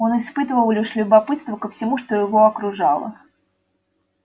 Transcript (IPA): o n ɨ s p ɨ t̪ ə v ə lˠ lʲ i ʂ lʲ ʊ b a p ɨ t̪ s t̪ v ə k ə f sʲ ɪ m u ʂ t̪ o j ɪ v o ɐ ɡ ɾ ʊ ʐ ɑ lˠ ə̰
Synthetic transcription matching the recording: o n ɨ s p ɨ t̪ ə v ə lˠ lʲ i ʂ lʲ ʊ b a p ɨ t̪ s t̪ v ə k ə f sʲ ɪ m u ʂ t̪ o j ɪ v o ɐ k ɾ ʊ ʐ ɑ lˠ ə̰

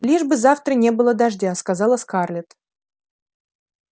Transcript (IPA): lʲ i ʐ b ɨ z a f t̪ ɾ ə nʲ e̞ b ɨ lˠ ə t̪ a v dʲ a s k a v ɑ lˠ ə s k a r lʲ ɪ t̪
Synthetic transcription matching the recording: lʲ i ʐ b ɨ z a f t̪ ɾ ə nʲ e̞ b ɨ lˠ ə d̪ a ʐ dʲ a s k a z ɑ lˠ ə s k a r lʲ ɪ t̪

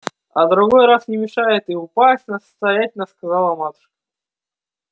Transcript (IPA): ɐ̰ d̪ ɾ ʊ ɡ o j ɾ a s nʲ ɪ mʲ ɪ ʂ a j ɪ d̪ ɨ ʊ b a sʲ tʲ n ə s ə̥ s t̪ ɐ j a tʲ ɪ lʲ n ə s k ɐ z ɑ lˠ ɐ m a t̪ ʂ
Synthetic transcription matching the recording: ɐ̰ d̪ ɾ ʊ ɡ o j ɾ a s nʲ ɪ mʲ ɪ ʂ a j ɪ t̪ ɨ ʊ p a sʲ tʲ n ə s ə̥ s t̪ ɐ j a tʲ ɪ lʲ n ə s k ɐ z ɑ lˠ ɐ m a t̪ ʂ

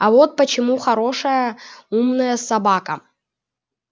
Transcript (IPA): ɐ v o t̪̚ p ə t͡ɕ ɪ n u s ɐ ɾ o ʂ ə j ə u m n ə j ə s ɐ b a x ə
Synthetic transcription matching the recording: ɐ v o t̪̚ p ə t͡ɕ ɪ m u x ɐ ɾ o ʂ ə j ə u m n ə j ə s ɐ b a k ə

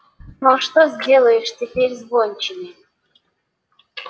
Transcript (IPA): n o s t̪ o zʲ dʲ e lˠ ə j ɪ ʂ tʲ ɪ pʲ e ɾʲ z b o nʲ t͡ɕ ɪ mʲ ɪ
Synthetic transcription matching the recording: n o ʂ t̪ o zʲ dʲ e lˠ ə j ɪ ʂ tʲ ɪ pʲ e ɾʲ z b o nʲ t͡ɕ ɪ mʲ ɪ

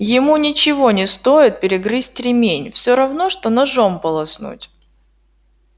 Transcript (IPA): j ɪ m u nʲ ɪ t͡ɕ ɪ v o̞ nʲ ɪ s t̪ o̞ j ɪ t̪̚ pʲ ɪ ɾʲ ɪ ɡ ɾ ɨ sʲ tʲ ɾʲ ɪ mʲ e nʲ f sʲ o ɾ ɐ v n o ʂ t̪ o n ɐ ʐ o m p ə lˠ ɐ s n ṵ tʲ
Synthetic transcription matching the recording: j ɪ m u nʲ ɪ t͡ɕ ɪ v o̞ nʲ ɪ s t̪ o̞ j ɪ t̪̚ pʲ ɪ ɾʲ ɪ ɡ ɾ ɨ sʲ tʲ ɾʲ ɪ mʲ e nʲ f sʲ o ɾ ɐ v n o ʂ t̪ o n ɐ ʐ o m p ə lˠ ɐ s n ṵ tʲ

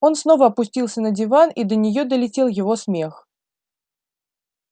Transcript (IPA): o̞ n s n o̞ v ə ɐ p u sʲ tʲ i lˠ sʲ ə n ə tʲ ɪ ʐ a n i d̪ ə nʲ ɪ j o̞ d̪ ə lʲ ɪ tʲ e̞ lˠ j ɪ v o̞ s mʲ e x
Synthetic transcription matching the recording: o̞ n s n o̞ v ə ɐ p ʊ sʲ tʲ i lˠ sʲ ə n ə dʲ ɪ v a n i d̪ ə nʲ ɪ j o̞ d̪ ə lʲ ɪ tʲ e̞ lˠ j ɪ v o̞ s mʲ e x

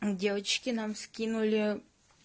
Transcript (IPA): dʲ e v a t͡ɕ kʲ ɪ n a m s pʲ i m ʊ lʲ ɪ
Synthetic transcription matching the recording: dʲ e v ə t͡ɕ kʲ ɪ n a m s kʲ i n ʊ lʲ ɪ

